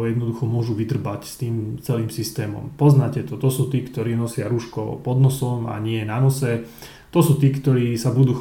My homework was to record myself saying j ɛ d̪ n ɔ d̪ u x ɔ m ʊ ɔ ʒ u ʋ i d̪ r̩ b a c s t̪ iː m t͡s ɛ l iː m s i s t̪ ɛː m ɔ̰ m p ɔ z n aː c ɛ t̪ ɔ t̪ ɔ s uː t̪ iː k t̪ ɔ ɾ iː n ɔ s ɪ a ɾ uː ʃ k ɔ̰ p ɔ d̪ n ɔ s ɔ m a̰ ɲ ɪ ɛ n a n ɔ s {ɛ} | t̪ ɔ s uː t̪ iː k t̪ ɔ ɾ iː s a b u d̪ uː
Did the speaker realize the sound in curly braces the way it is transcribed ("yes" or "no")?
yes